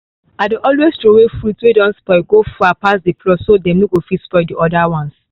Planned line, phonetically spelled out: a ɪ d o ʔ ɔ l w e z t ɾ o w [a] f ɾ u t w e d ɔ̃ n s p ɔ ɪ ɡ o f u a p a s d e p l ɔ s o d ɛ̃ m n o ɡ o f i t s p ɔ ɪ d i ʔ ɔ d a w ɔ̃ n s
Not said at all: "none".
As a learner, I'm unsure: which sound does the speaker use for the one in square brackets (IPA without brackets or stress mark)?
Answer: e